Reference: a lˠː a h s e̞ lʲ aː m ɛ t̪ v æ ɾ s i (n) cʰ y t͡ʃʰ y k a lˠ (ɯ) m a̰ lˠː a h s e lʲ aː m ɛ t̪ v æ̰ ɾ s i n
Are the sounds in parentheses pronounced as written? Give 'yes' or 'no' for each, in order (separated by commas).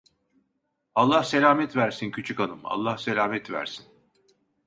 yes, yes